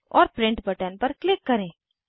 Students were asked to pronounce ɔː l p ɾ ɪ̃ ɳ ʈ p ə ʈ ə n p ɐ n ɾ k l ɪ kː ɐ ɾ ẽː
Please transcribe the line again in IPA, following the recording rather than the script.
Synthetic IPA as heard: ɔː ɾ p ɾ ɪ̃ ɳ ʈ b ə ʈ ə n p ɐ ɾ k l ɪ kː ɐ ɾ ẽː